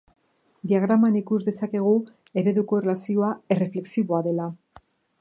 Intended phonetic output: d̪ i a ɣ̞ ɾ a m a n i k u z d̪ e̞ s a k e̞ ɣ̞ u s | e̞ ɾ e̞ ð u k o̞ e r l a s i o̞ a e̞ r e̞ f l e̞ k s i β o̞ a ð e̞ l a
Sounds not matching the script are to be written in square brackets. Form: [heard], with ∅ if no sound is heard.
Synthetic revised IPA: d̪ i a ɣ̞ ɾ a m a n i k u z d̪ e̞ s a k e̞ ɣ̞ u [∅] | e̞ ɾ e̞ ð u k o̞ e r l a s i o̞ a e̞ r e̞ f l e̞ k s i β o̞ a ð e̞ l a